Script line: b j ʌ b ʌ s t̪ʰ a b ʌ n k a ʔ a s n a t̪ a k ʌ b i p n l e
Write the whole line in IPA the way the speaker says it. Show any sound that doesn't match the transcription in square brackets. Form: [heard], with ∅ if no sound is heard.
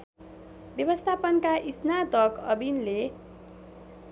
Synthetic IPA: b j ʌ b ʌ s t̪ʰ a [p] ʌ n k a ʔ [i] s n a t̪ [ʌ] k ʌ b i [∅] n l e

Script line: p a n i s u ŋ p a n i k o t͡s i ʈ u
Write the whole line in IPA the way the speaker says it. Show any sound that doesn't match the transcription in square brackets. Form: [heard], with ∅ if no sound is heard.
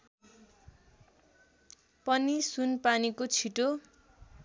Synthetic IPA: p [ʌ] n i s u [n] p a n i k o [t͡sʰ] i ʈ [o]

